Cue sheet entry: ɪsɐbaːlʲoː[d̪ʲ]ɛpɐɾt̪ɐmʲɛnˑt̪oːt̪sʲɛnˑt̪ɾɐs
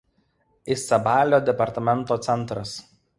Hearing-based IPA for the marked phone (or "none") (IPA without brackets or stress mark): d̪ʲ